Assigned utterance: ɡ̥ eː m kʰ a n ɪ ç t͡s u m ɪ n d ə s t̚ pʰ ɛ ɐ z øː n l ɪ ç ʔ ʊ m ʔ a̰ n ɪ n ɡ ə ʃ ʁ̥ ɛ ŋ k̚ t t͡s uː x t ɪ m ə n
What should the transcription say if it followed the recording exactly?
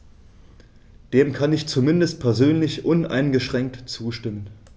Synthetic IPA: d̥ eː m kʰ a n ɪ ç t͡s u m ɪ n d ə s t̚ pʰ ɛ ɐ z øː n l ɪ ç ʔ ʊ n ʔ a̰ ɪ n ɡ ə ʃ ʁ̥ ɛ ŋ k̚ t t͡s uː ʃ t ɪ m ə n